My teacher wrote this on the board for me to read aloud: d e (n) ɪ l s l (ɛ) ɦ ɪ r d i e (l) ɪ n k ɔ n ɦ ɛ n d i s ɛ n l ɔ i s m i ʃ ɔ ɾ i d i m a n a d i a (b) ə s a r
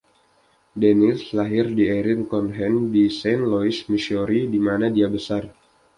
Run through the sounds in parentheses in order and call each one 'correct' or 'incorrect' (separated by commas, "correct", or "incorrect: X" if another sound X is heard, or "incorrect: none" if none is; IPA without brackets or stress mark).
correct, incorrect: a, incorrect: ɾ, correct